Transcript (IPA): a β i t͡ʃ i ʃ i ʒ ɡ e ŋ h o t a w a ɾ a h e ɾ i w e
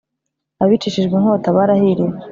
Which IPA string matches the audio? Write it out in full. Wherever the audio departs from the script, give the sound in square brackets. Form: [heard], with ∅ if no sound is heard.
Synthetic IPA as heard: a β i t͡ʃ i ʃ i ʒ ɡ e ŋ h o t a [β] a ɾ a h [i] ɾ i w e